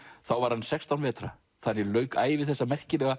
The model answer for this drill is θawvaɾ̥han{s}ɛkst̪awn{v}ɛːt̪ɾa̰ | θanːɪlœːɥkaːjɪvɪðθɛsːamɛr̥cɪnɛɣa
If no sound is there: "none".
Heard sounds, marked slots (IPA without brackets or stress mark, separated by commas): s, v